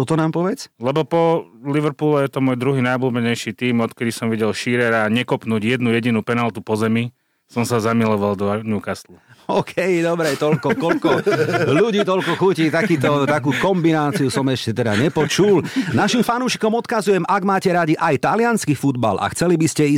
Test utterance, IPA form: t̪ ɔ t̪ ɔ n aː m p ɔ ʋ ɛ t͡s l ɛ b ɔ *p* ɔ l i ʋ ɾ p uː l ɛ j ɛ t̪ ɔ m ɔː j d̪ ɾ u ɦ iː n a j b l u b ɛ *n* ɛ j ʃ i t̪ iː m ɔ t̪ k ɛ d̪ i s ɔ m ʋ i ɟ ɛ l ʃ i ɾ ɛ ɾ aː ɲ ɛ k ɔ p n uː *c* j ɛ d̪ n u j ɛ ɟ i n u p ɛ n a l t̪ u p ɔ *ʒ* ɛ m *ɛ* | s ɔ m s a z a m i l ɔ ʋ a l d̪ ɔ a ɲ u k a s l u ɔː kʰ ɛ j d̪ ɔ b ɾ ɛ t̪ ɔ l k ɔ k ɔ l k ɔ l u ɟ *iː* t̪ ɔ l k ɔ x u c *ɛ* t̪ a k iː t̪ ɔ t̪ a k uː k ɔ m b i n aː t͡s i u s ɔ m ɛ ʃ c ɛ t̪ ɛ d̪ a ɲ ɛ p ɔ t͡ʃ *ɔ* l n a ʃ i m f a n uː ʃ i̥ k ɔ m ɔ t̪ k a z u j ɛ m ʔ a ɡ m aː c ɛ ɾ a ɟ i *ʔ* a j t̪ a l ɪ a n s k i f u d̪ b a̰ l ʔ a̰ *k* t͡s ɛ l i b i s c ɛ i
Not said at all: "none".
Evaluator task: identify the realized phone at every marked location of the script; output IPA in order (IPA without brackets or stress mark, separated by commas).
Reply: p, ɲ, ɟ, z, i, iː, i, u, ʔ, x